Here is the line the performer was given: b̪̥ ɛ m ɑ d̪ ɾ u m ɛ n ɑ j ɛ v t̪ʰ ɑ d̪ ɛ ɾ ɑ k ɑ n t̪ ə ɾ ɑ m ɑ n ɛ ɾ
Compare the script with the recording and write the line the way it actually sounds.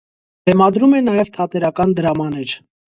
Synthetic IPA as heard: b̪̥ ɛ m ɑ d̪ ɾ u m ɛ n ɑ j ɛ v t̪ʰ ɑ t̪ ɛ ɾ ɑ k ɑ n d̪ ə ɾ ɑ m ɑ n ɛ ɾ